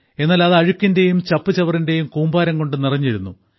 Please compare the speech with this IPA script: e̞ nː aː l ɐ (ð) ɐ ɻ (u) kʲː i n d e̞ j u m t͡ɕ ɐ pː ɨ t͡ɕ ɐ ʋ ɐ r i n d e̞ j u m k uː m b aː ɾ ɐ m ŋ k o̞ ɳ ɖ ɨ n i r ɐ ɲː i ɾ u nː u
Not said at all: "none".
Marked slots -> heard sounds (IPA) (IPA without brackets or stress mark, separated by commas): ð, u